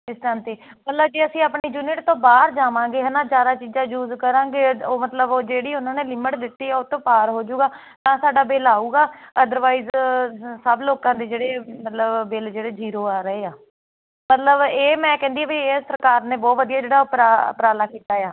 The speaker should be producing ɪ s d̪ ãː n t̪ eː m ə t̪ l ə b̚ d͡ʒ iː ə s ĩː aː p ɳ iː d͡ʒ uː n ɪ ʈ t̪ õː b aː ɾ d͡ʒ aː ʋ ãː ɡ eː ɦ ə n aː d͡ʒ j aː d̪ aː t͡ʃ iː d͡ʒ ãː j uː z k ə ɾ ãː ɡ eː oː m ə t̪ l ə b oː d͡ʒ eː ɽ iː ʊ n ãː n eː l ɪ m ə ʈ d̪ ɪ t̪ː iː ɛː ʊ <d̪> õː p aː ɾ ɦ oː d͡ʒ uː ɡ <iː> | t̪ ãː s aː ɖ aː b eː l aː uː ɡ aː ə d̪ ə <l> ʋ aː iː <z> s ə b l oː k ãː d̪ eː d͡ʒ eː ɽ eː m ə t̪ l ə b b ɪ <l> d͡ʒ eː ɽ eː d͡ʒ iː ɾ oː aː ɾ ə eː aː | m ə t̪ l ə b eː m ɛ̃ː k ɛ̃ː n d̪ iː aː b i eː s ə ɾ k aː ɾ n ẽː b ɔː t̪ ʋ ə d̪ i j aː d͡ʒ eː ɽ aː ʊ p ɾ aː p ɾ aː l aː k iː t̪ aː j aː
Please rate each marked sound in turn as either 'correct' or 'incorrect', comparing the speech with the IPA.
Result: incorrect, incorrect, incorrect, correct, correct

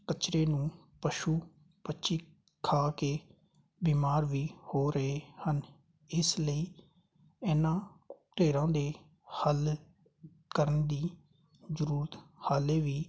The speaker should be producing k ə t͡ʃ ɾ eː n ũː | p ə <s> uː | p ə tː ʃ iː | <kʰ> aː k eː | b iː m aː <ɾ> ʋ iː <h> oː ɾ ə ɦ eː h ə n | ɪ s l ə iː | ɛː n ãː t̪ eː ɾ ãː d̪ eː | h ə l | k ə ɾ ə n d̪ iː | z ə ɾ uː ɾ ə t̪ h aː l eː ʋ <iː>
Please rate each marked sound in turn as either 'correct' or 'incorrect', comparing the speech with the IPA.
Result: incorrect, correct, correct, correct, correct

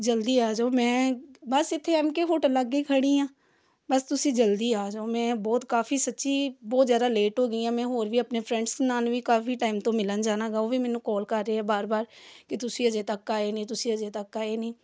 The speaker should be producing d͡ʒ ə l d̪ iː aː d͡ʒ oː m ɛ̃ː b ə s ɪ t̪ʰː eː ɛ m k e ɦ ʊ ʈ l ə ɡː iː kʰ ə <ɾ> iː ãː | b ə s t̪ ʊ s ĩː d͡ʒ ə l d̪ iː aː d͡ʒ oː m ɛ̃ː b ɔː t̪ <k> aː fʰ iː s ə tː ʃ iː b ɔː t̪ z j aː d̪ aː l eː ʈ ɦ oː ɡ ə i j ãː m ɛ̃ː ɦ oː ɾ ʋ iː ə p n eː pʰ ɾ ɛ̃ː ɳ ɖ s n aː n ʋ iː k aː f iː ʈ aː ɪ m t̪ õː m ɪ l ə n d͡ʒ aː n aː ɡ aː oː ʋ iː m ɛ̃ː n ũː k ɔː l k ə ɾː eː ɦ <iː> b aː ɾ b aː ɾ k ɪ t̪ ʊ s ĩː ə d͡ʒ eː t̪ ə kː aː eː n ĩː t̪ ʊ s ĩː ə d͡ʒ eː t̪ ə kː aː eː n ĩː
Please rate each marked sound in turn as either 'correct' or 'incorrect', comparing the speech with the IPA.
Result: incorrect, correct, incorrect

